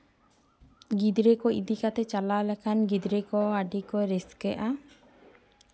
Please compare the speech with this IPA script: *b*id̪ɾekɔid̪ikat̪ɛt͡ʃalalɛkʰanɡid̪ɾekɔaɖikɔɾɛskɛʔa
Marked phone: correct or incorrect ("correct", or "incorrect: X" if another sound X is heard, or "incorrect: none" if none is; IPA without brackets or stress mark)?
incorrect: ɡ